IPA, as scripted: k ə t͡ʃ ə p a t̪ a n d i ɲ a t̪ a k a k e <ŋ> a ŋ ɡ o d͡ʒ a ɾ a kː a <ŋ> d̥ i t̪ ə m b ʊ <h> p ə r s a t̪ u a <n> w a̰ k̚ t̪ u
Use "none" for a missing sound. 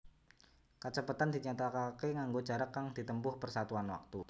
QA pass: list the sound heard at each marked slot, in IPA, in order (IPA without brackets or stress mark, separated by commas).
ŋ, ŋ, h, n